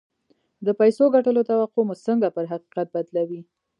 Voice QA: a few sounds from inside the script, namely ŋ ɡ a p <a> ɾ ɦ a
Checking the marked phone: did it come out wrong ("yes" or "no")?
yes